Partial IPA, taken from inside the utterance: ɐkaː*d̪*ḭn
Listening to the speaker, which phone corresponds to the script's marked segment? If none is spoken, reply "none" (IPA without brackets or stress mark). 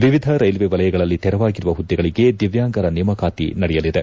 t̪